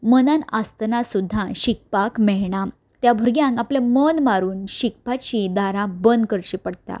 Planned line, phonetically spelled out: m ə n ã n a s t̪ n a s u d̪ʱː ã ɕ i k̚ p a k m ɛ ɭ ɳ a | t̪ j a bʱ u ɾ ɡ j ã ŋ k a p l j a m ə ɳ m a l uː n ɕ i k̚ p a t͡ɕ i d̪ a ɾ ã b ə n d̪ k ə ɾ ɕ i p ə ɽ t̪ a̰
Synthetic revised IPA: m ə n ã n a s t̪ n a s u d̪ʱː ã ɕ i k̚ p a k m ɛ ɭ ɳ a | t̪ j a bʱ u ɾ ɡ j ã ŋ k a p l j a m ə n m a ɾ uː n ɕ i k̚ p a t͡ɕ i d̪ a ɾ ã b ə n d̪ k ə ɾ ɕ i p ə ɽ t̪ a̰

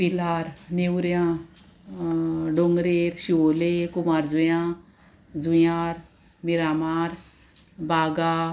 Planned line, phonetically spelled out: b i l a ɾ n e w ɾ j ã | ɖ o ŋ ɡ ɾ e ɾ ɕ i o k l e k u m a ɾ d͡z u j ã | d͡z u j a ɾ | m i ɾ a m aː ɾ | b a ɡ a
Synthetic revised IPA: p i l a ɾ n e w ɾ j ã | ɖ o ŋ ɡ ɾ e ɾ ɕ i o l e k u m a ɾ d͡z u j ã | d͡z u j a ɾ | m i ɾ a m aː ɾ | b a ɡ a

